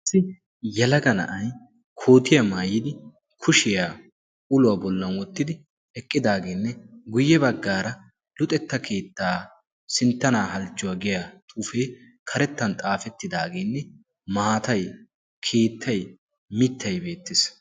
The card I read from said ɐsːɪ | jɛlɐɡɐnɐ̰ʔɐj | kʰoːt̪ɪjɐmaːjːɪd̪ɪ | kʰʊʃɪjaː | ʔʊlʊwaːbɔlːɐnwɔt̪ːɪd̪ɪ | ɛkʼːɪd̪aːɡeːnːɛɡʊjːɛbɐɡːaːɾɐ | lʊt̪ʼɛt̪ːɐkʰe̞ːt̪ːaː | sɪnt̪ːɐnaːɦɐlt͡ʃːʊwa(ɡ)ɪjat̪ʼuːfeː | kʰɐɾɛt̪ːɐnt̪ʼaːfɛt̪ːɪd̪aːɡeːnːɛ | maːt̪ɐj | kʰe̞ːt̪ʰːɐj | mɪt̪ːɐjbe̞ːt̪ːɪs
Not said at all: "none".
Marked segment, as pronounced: ɡ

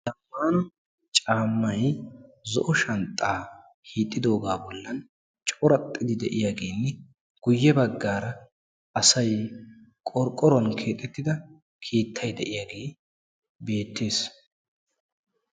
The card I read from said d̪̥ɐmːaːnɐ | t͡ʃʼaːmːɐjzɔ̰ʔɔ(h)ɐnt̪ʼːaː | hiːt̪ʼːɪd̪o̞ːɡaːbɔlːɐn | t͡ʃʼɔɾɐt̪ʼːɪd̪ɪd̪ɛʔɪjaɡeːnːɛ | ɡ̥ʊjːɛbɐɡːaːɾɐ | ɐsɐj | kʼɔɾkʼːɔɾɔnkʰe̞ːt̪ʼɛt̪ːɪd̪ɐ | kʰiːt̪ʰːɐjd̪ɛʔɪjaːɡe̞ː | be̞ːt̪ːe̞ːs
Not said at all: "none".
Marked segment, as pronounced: ʃ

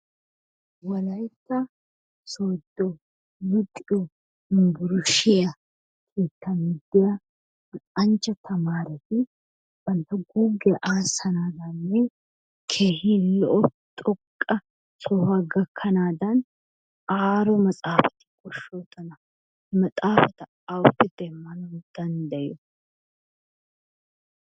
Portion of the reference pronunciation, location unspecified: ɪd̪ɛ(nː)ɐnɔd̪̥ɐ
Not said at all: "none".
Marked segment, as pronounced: mː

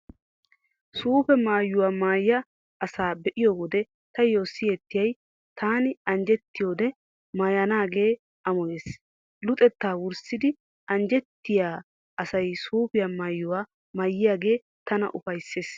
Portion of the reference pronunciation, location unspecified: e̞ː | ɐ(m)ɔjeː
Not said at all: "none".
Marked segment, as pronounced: m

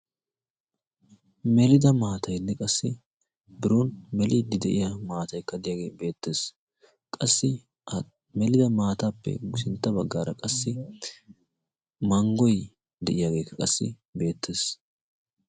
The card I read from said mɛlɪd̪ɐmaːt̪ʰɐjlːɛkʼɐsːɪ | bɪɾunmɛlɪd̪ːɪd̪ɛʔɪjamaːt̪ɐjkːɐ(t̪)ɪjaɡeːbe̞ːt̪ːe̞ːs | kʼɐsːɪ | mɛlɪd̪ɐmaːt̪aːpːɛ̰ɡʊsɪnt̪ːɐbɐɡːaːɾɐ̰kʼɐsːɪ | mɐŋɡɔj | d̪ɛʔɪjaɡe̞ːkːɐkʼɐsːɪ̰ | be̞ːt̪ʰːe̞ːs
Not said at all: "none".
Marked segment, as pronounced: d̪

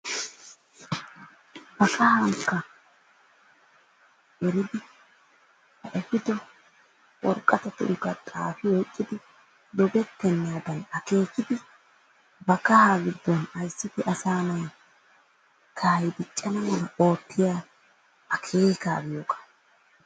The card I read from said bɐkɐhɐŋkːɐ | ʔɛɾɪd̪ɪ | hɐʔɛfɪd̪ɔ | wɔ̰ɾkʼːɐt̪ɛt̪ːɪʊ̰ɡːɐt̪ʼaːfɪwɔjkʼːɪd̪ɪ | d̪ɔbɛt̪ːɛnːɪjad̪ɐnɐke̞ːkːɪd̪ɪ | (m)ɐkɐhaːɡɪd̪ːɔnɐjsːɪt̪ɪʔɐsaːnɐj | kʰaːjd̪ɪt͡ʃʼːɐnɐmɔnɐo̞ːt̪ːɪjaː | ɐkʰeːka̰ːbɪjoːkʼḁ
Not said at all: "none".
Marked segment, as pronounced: b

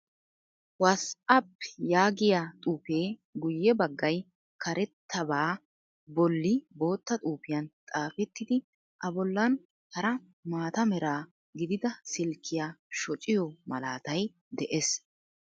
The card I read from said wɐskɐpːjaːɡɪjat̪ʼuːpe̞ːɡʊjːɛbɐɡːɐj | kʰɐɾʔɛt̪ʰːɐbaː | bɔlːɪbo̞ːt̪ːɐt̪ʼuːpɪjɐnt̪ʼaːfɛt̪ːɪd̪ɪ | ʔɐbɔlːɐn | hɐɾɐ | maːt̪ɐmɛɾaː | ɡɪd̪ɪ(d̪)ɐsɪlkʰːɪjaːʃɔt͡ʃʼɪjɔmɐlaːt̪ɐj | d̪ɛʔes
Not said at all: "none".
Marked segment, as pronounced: d̪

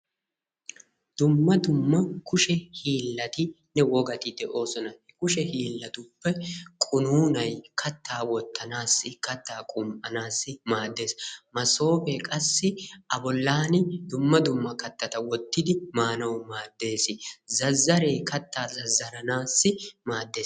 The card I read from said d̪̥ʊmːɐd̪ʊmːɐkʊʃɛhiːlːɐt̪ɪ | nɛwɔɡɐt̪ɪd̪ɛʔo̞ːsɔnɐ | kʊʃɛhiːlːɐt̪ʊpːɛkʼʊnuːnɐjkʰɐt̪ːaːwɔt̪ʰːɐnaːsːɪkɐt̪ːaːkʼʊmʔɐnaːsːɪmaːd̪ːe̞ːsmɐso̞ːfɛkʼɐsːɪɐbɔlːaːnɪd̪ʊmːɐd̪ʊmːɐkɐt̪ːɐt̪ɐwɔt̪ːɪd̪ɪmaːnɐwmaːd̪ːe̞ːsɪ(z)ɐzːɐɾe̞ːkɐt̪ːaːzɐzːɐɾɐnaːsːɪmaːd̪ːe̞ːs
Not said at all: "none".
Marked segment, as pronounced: z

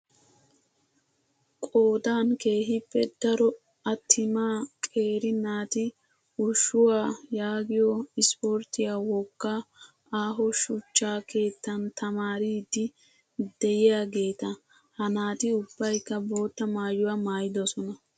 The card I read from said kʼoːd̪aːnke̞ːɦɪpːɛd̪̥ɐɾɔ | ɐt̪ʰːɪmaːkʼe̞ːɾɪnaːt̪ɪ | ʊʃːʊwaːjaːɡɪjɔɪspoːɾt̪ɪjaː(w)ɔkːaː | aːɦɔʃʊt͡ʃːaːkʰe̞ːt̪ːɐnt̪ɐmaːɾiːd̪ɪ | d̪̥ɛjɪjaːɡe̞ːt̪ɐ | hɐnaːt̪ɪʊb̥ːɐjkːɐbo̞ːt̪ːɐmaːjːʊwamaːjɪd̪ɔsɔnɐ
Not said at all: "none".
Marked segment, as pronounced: w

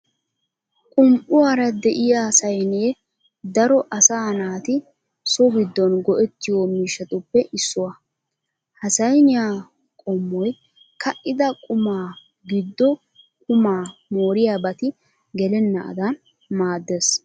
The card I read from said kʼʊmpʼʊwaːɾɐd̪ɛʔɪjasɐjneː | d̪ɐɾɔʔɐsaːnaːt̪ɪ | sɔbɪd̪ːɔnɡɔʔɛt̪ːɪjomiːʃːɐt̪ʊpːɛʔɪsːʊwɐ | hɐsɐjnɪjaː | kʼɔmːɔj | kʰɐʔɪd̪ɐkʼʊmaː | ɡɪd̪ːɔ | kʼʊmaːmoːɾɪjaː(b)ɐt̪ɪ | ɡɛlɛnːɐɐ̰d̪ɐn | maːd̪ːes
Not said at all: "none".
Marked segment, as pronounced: b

